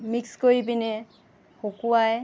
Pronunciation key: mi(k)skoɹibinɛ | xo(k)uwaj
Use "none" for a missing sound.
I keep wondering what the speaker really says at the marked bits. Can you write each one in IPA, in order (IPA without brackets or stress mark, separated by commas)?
k, k